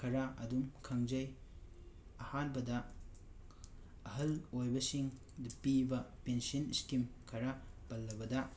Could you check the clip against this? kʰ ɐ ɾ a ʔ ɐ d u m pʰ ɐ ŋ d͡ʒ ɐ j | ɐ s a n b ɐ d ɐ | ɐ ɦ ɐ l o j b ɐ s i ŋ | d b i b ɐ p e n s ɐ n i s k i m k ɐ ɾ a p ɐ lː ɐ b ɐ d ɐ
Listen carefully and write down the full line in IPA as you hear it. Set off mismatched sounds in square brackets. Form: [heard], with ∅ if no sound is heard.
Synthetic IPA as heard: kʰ ɐ ɾ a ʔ ɐ d u m [kʰ] ɐ ŋ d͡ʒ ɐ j | ɐ [h] a n b ɐ d ɐ | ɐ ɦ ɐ l o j b ɐ s i ŋ | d [p] i b ɐ p e n s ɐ n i s k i m [kʰ] ɐ ɾ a p ɐ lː ɐ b ɐ d ɐ